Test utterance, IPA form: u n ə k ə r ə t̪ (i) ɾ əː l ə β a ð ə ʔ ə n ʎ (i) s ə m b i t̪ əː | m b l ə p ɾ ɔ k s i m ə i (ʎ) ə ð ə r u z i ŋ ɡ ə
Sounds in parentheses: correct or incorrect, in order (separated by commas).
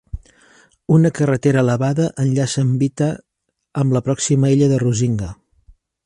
incorrect, incorrect, correct